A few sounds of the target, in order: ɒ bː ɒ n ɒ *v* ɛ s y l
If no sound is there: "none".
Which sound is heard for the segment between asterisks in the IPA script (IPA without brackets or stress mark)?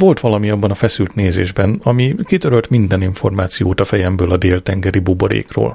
f